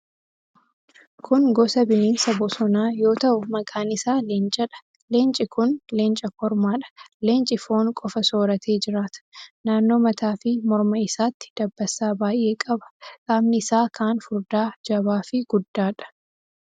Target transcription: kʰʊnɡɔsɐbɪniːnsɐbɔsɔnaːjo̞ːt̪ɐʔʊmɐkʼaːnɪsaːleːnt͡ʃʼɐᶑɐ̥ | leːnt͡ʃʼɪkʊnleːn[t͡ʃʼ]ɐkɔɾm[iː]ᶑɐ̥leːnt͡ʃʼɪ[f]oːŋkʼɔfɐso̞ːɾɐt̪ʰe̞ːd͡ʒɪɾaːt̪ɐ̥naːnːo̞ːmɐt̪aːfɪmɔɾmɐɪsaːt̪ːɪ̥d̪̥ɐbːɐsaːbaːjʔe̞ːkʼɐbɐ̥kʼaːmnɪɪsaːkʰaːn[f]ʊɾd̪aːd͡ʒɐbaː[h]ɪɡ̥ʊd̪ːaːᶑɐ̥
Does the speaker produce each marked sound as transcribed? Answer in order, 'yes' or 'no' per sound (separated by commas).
yes, no, yes, yes, no